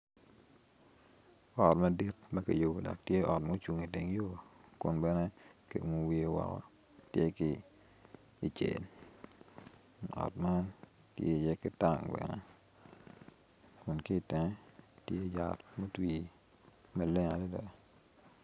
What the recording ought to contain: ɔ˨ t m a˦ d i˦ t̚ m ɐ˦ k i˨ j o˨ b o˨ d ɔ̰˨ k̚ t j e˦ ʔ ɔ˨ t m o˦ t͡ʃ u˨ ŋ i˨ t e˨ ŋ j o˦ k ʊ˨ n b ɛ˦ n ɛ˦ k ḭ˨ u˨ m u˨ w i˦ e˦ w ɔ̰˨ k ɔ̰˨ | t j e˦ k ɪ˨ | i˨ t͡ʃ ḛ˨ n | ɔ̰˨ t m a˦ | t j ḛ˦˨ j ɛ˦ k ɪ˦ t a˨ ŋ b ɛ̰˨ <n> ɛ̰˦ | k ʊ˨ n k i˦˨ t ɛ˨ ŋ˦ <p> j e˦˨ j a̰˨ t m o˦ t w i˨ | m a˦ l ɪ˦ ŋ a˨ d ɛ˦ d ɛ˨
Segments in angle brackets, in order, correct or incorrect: correct, incorrect: t

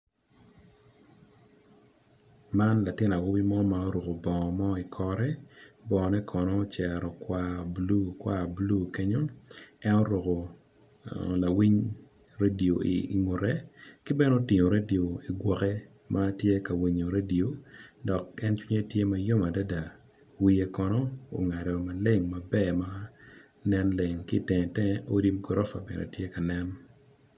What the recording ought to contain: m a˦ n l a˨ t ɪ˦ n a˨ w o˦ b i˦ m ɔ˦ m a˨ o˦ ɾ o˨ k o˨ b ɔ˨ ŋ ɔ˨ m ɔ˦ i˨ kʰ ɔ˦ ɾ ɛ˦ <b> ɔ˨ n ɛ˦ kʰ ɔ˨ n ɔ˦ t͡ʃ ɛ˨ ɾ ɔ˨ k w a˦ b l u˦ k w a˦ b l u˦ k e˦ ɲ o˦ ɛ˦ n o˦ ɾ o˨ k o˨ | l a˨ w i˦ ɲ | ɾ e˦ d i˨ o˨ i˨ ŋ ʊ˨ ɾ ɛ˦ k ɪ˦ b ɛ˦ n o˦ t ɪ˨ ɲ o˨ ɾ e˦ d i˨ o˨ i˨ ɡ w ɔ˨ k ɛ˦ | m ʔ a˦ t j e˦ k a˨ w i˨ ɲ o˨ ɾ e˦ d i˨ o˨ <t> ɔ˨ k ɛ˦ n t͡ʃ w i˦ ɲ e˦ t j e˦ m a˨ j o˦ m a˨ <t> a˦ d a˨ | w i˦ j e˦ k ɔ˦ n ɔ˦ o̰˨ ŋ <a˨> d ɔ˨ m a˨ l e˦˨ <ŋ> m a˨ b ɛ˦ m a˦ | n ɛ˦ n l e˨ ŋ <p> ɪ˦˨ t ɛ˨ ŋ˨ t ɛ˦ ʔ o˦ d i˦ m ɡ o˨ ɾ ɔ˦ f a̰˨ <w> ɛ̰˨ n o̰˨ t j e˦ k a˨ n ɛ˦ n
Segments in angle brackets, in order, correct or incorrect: correct, incorrect: d, incorrect: d, correct, correct, incorrect: k, incorrect: b

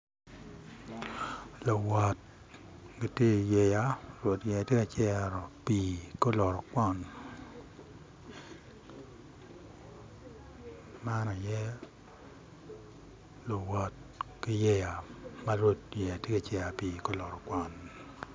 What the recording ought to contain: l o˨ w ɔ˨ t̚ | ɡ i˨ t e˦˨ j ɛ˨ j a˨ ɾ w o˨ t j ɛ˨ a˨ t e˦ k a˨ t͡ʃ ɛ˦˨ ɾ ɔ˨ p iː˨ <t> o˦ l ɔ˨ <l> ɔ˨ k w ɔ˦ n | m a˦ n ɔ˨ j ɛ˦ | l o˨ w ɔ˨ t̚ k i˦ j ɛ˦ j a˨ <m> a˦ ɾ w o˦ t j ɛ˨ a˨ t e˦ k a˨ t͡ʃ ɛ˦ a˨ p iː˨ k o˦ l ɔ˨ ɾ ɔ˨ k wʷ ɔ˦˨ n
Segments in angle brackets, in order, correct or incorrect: incorrect: k, incorrect: ɾ, correct

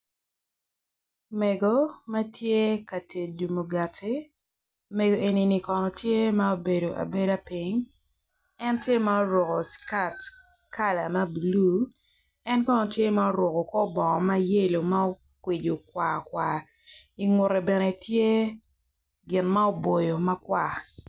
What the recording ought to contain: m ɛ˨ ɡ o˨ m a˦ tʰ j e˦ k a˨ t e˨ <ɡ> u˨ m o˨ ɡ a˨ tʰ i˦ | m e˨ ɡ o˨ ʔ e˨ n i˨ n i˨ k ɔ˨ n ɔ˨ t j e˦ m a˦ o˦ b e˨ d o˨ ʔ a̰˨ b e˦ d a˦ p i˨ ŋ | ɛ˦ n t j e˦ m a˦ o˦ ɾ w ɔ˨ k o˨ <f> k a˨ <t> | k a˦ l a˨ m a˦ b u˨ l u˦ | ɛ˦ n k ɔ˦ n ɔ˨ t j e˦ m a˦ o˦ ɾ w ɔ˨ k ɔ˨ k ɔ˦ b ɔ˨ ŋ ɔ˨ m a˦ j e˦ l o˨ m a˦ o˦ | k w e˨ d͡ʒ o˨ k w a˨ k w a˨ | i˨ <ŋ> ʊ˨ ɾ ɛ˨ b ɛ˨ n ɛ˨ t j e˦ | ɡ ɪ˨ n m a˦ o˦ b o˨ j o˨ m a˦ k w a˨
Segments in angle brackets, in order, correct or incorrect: incorrect: d, incorrect: s, correct, correct

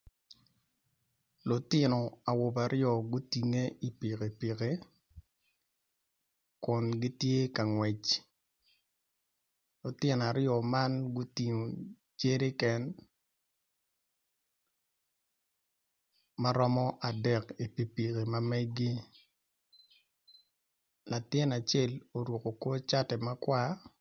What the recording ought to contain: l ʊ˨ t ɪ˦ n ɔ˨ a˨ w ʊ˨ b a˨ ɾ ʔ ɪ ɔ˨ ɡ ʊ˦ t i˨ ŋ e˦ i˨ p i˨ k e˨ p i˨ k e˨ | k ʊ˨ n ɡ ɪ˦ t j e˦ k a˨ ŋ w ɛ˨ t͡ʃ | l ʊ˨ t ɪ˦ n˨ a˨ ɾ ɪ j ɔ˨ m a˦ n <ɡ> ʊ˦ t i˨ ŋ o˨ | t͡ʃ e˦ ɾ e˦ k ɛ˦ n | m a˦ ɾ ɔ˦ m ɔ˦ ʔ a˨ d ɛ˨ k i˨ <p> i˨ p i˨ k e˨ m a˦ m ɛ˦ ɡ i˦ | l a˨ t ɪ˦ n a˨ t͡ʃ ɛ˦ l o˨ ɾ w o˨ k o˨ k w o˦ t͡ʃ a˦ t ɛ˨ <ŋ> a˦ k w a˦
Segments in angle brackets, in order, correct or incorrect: correct, correct, incorrect: m

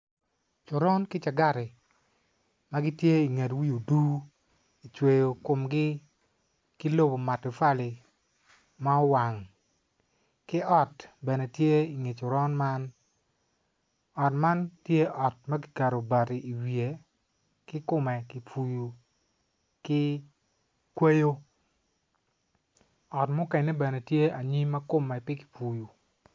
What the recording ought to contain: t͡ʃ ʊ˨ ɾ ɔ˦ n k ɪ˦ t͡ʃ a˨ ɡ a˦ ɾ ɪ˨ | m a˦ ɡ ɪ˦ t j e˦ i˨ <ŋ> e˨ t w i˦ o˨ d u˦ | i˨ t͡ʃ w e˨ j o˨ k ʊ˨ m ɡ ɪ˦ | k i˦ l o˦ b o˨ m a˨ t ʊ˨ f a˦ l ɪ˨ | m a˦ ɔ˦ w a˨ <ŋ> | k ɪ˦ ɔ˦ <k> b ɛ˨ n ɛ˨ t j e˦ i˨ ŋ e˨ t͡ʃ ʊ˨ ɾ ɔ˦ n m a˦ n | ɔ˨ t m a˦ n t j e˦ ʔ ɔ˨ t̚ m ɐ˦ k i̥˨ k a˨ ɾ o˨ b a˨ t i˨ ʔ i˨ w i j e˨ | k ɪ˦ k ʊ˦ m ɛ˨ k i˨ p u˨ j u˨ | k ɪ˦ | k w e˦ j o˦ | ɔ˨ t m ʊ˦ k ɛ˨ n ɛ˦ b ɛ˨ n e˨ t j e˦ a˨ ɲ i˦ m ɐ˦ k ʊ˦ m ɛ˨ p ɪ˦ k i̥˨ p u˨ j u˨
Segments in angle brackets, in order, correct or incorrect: correct, correct, incorrect: t

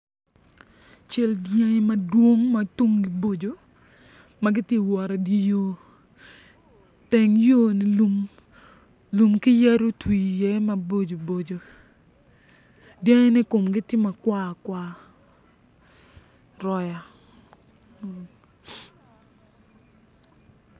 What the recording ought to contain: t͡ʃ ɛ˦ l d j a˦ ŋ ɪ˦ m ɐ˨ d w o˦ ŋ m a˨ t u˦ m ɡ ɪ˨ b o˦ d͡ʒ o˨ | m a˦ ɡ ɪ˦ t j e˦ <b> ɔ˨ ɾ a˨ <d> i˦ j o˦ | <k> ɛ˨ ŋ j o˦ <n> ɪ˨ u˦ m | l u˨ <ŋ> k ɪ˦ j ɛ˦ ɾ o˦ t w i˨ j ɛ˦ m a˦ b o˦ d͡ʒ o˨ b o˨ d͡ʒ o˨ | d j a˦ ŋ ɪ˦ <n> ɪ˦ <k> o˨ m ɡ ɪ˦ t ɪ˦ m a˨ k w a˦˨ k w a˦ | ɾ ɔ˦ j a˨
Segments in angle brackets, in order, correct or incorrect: incorrect: w, correct, incorrect: t, correct, incorrect: m, correct, correct

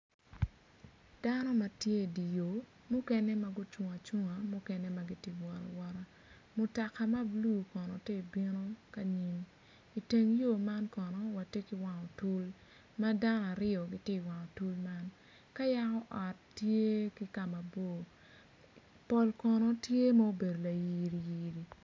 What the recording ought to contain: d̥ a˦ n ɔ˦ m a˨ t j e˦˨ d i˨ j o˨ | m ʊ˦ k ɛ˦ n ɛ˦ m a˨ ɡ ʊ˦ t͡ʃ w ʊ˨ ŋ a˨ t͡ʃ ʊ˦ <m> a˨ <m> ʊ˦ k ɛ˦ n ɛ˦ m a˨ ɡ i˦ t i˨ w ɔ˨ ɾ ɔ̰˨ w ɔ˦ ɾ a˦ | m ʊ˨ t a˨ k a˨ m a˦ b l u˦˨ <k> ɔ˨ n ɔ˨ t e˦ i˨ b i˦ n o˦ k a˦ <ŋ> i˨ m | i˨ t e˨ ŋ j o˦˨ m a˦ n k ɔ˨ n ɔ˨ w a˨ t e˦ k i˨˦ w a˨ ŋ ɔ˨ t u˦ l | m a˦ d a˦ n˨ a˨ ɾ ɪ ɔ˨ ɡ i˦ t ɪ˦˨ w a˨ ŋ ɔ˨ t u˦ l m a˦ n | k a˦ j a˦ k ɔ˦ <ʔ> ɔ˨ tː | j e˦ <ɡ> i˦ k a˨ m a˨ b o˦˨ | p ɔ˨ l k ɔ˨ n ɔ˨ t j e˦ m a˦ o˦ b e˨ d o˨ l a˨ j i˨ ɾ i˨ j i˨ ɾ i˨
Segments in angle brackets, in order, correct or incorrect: incorrect: ŋ, correct, correct, incorrect: ɲ, correct, incorrect: k

